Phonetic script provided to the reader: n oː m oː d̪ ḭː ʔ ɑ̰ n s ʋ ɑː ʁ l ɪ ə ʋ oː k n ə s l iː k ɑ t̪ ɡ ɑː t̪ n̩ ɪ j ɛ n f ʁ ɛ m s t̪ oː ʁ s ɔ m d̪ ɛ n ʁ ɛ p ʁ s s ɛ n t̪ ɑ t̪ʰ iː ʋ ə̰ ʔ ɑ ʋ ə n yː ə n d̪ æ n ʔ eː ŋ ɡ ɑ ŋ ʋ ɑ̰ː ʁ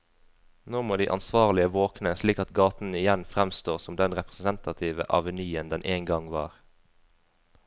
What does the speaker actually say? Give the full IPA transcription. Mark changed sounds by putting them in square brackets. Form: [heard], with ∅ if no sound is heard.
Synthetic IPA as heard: n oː m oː d̪ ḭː ʔ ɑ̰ n s ʋ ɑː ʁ l ɪ ə ʋ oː k n ə s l iː k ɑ t̪ ɡ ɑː t̪ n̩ ɪ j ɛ n f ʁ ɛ m s t̪ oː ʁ s ɔ m d̪ ɛ n ʁ ɛ p ʁ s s ɛ n t̪ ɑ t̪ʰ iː ʋ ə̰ ʔ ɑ ʋ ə n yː ə n d̪ [ɛ] n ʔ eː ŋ ɡ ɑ ŋ ʋ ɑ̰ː ʁ